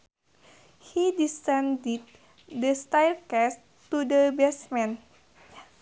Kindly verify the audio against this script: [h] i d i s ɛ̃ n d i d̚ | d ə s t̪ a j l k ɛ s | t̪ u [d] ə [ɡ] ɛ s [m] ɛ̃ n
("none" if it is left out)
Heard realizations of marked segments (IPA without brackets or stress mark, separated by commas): h, d, b, m